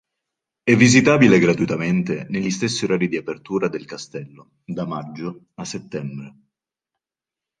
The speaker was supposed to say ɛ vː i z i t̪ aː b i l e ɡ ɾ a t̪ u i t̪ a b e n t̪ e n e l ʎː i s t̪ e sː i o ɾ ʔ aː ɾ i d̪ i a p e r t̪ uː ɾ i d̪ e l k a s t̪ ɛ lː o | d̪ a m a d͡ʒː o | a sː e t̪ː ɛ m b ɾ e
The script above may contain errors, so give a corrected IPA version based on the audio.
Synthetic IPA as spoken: ɛ vː i z i t̪ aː b i l e ɡ ɾ a t̪ u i t̪ a m e n t̪ e n e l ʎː i s t̪ e sː i o ɾ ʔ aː ɾ i d̪ i a p e r t̪ uː ɾ a d̪ e l k a s t̪ ɛ lː o | d̪ a m a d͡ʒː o | a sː e t̪ː ɛ m b ɾ e